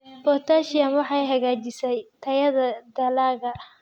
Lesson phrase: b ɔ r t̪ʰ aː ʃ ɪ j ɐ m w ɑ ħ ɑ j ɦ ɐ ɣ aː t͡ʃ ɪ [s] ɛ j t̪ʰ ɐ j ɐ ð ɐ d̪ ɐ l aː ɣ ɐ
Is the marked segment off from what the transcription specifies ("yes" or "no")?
no